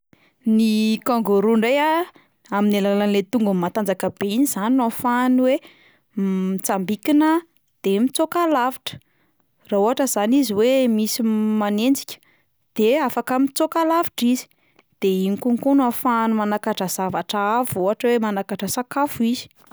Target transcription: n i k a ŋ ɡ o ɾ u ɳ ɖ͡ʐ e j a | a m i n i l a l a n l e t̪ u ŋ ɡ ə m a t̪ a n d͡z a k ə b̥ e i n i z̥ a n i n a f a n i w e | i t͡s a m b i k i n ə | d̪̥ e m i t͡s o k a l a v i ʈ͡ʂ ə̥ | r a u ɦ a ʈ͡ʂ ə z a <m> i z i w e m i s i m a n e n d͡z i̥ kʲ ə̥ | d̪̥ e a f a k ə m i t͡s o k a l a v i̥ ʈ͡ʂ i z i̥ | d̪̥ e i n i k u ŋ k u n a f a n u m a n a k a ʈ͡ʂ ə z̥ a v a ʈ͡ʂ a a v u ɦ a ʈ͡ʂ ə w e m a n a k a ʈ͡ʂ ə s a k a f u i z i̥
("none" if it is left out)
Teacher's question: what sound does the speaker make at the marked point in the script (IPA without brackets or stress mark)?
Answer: n